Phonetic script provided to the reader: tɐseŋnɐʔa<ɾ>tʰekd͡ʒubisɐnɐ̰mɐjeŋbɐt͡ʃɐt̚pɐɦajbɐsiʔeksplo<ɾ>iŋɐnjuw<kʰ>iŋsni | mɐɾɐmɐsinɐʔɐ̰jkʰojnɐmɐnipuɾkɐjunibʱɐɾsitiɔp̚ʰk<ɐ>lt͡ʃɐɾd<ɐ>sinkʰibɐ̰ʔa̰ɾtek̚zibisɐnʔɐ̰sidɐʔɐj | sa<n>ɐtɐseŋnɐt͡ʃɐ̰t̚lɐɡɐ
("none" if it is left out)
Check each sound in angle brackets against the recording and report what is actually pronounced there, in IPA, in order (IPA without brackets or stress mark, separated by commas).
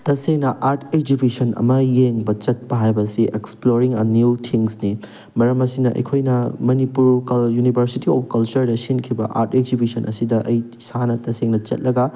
ɾ, ɾ, tʰ, ɐ, ɐ, n